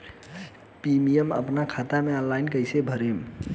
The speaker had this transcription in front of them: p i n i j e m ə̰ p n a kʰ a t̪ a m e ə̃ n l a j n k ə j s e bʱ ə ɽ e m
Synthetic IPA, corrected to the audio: p i m i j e m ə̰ p n a kʰ a t̪ a m e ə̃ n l a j n k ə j s e bʱ ə ɾ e m